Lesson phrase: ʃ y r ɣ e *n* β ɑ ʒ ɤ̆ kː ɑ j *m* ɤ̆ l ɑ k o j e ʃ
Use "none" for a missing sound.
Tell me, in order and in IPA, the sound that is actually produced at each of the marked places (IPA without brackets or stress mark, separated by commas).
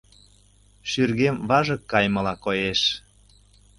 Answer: m, m